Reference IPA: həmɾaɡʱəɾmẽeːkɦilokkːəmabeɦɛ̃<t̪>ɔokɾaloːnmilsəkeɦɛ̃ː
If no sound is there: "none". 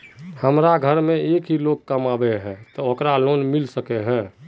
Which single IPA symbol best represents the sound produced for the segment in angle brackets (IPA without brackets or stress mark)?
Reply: t̪